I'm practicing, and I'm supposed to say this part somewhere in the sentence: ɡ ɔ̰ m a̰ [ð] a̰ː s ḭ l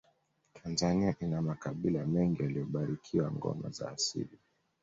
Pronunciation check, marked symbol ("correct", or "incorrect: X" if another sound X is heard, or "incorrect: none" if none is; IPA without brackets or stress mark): incorrect: z